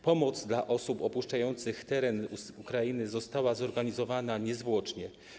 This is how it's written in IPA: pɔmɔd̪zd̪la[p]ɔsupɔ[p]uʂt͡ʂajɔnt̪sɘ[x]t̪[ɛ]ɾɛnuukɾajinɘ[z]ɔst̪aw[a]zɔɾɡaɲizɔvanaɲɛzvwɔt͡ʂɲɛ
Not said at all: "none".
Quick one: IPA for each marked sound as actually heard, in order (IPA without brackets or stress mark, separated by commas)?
ʔ, p, x, ɛ, z, a